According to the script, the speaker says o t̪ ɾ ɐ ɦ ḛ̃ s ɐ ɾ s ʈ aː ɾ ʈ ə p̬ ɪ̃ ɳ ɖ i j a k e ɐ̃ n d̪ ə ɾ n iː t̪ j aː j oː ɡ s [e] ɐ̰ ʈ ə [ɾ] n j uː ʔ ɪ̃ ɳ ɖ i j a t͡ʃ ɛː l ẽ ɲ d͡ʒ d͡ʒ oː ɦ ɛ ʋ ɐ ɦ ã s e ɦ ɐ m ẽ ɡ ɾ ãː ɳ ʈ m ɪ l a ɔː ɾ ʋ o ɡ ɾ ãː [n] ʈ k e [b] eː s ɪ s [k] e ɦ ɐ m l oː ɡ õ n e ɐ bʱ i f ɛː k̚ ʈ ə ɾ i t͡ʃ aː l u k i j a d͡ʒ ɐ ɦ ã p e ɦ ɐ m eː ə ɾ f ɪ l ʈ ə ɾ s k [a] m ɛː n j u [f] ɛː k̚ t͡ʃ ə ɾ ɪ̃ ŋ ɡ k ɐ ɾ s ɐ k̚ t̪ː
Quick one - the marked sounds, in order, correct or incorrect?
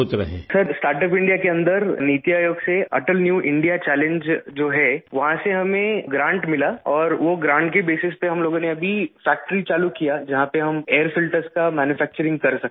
correct, incorrect: l, incorrect: ɳ, correct, incorrect: p, correct, correct

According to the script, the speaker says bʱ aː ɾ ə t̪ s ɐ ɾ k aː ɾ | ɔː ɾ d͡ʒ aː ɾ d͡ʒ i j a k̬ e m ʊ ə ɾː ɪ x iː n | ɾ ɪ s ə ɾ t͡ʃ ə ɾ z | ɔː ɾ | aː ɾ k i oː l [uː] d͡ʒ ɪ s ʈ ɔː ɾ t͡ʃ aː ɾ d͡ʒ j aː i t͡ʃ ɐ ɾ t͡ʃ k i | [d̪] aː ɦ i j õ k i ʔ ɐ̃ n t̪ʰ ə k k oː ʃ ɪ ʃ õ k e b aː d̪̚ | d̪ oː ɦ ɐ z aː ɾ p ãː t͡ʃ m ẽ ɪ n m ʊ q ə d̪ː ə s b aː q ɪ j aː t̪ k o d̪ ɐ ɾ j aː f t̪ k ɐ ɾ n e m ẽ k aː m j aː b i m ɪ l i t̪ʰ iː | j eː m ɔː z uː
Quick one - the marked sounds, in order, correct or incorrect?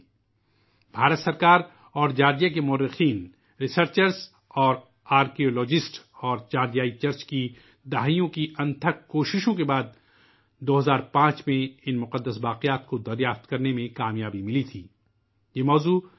incorrect: ɔː, correct

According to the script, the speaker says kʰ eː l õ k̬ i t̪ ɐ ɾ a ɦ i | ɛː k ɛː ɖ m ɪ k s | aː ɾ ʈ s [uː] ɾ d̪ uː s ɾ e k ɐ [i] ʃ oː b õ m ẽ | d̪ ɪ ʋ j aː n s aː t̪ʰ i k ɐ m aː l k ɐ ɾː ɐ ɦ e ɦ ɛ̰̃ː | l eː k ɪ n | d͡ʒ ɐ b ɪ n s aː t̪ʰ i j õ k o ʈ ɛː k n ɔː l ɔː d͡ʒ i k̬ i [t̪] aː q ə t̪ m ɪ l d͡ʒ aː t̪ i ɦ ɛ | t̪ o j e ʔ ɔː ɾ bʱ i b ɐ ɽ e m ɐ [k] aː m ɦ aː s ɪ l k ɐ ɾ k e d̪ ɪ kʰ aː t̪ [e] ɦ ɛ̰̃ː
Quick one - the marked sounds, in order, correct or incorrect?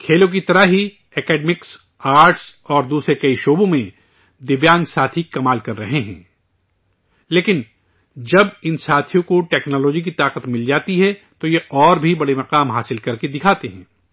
incorrect: ɔː, correct, correct, incorrect: q, correct

